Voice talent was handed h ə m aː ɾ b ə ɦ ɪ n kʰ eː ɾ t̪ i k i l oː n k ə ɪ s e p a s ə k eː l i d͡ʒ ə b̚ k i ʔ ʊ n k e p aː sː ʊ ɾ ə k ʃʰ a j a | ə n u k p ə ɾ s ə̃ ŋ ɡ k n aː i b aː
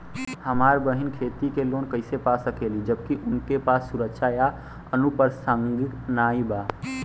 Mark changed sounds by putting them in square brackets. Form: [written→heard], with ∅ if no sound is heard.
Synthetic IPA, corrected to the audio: h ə m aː ɾ b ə ɦ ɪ n kʰ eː [ɾ→∅] t̪ i k [i→e] l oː n k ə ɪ s e p a s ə k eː l i d͡ʒ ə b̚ k i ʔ ʊ n k e p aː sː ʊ ɾ ə k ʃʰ a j a | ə n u [k→∅] p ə ɾ s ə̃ ŋ ɡ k n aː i b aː